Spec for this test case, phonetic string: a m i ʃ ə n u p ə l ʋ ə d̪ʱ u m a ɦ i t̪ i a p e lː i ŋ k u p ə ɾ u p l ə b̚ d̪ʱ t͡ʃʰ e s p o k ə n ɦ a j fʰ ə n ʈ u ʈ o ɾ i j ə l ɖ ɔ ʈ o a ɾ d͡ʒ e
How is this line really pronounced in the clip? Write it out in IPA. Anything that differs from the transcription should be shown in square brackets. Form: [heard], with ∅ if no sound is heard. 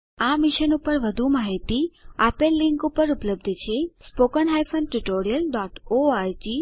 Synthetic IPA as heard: a m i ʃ ə n u p ə [ɾ] ʋ ə d̪ʱ u m a ɦ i t̪ i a p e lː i ŋ k u p ə ɾ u p l ə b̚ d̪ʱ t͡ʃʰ e s p o k ə n ɦ a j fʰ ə n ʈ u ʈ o ɾ i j ə l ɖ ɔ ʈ o a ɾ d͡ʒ [i]